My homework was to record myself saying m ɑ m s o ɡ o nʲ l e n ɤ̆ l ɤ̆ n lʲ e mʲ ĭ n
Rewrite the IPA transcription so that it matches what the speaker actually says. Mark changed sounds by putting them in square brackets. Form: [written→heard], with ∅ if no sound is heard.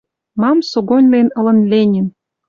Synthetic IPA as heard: m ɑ m s o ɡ o nʲ l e n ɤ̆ l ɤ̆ n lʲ e [mʲ→nʲ] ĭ n